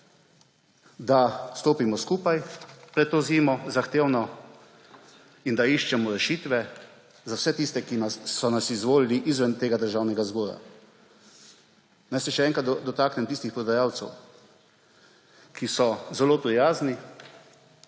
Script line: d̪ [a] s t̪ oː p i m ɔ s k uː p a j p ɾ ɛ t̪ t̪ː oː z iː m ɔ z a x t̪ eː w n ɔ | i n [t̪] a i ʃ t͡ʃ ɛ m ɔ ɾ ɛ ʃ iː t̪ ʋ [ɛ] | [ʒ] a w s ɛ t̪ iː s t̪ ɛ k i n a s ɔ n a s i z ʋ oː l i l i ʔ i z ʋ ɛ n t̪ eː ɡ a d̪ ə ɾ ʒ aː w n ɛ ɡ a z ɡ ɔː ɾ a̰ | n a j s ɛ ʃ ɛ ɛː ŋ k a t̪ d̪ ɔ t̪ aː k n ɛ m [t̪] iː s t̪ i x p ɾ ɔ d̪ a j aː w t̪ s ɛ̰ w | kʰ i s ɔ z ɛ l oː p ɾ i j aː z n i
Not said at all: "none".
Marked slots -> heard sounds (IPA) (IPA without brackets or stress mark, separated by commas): a, d̪, ɛ, z, t̪